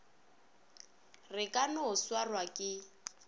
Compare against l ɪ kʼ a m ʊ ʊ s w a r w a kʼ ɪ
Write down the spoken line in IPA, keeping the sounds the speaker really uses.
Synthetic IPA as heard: r ɪ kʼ a n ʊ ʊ s w a r w a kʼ ɪ